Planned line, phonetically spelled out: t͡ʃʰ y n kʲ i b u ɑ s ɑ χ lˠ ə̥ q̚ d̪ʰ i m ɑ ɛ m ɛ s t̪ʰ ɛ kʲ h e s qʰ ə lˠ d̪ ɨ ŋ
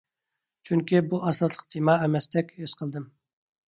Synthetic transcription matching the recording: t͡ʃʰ y ŋ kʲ i b u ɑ s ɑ s lˠ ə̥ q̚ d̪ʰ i m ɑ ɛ m ɛ s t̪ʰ ɛ kʲ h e s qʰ ə lˠ d̪ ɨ m